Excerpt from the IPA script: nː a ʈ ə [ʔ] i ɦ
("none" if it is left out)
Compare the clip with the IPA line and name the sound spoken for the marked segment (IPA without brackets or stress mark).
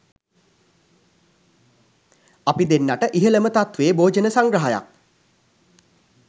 ʔ